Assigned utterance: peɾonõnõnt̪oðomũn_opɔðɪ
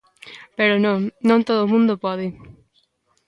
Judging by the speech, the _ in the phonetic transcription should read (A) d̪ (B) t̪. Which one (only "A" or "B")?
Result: A